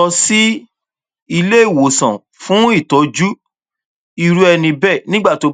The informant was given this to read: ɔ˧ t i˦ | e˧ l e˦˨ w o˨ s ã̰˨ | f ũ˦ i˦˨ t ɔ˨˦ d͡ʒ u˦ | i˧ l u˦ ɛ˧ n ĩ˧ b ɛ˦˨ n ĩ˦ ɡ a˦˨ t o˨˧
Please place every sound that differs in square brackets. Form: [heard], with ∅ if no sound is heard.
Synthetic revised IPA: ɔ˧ [s] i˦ | [i˧] l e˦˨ w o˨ s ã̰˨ | f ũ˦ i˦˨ t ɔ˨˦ d͡ʒ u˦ | i˧ [ɾ] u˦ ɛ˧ n ĩ˧ b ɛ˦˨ n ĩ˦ [ɡ͡b] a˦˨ t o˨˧

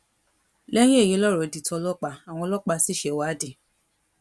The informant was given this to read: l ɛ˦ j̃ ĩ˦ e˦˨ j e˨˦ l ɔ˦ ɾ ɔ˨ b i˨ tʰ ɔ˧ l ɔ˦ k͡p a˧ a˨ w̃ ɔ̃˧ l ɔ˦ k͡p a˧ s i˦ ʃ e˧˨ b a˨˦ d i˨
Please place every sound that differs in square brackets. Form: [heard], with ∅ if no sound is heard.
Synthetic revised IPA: l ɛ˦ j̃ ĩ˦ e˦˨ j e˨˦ l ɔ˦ ɾ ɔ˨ [d] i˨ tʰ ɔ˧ l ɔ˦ k͡p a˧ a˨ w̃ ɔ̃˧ l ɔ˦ k͡p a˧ s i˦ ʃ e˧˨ [w] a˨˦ d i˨

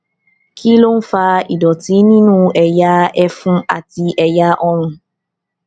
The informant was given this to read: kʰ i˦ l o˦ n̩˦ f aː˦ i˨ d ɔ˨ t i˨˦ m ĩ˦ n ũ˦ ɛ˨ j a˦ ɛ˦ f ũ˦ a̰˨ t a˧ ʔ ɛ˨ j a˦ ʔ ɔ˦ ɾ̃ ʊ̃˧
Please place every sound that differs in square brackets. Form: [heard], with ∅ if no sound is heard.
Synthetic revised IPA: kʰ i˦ l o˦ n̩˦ f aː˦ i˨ d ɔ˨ t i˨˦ [n] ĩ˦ n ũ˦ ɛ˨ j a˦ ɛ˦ f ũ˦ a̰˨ t [i˧] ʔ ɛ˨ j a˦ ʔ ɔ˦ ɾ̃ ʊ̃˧

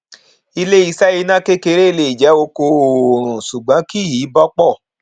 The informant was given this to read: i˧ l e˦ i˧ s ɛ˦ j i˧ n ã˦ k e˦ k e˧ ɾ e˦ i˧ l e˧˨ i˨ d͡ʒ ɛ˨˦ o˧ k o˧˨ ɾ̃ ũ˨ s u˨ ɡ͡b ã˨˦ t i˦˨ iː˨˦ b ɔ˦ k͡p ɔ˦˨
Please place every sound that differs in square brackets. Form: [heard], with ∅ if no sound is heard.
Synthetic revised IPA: i˧ l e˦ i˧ s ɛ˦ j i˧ n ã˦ k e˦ k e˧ ɾ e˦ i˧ l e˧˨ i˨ d͡ʒ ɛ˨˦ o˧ k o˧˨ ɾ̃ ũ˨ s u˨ ɡ͡b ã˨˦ [k] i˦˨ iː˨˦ b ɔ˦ k͡p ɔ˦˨

